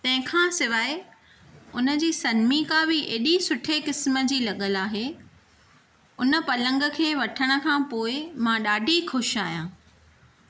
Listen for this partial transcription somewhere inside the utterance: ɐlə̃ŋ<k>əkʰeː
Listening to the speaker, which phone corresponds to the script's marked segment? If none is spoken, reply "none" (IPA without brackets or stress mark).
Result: ɡ